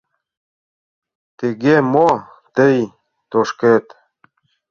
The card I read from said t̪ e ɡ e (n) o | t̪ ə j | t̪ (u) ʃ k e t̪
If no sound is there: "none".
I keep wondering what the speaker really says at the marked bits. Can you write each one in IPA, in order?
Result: m, o

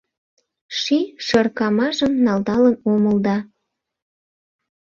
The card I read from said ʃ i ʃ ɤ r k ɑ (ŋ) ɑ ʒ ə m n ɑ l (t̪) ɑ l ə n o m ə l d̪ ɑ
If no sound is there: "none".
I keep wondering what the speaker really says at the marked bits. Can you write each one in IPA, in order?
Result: m, d̪

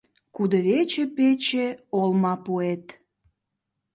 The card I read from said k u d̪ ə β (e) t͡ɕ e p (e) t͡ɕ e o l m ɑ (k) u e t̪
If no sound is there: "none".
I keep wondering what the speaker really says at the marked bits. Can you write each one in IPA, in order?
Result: e, e, p

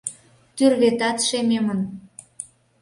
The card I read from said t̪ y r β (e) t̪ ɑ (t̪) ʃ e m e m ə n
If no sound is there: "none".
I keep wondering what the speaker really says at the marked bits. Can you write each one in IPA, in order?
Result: e, t̪

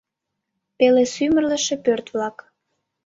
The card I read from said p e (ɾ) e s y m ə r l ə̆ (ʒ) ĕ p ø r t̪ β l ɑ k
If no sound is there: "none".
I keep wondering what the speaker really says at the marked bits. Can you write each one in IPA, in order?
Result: l, ʃ

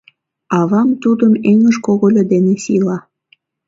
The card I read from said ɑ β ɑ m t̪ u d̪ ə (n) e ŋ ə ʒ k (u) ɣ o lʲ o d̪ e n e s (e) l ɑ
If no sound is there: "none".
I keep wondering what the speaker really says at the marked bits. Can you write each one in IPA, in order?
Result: m, o, i

